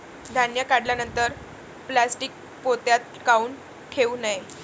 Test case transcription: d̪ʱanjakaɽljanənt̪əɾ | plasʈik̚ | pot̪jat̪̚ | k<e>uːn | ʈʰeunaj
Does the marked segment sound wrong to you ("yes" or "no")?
yes